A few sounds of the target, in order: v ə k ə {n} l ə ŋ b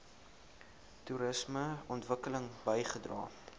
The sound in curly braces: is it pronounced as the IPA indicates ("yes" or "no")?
no